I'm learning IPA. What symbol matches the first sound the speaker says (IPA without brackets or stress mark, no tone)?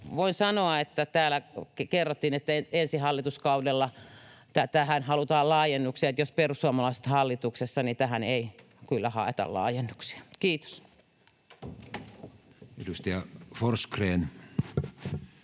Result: ʋ